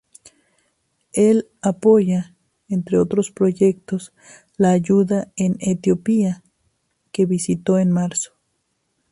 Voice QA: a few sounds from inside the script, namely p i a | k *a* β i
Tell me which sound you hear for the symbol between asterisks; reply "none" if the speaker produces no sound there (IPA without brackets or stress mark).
e